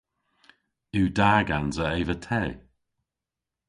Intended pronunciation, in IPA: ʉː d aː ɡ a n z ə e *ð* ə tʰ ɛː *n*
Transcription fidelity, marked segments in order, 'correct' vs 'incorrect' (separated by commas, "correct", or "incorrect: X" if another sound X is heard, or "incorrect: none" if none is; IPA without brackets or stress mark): incorrect: v, incorrect: none